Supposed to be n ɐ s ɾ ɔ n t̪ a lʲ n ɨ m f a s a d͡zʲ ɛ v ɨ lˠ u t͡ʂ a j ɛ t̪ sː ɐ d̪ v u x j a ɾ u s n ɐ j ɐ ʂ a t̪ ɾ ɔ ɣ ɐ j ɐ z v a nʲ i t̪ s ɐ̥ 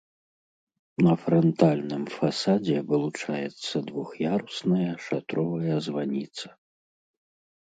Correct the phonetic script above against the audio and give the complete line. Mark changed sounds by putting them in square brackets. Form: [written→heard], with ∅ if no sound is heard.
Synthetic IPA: n ɐ [s→f] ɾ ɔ n t̪ a lʲ n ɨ m f a s a d͡zʲ ɛ v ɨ lˠ u t͡ʂ a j ɛ t̪ sː ɐ d̪ v u x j a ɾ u s n ɐ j ɐ ʂ a t̪ ɾ ɔ [ɣ→v] ɐ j ɐ z v a nʲ i t̪ s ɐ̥